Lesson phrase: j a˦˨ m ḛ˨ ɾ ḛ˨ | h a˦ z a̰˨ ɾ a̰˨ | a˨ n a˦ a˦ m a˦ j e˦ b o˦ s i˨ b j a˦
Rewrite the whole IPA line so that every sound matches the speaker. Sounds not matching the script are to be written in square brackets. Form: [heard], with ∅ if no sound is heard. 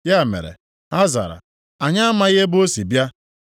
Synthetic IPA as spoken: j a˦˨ m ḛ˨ ɾ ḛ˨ | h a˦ z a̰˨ ɾ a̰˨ | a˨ [ɲ] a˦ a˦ m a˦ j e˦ b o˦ s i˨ b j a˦